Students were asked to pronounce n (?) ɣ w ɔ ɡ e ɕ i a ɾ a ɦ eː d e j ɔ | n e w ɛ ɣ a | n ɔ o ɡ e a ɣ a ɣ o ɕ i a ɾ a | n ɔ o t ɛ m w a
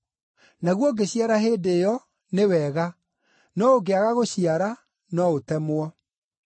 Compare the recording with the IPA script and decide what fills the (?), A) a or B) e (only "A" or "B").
A